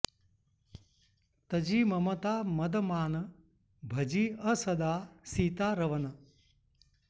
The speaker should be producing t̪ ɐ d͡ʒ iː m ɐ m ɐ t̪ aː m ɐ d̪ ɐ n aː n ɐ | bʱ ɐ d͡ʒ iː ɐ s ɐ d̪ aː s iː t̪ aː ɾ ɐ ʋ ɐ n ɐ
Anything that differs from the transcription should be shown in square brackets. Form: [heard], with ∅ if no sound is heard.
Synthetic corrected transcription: t̪ ɐ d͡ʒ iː m ɐ m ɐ t̪ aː m ɐ d̪ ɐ [m] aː n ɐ | bʱ ɐ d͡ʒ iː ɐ s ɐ d̪ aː s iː t̪ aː ɾ ɐ ʋ ɐ n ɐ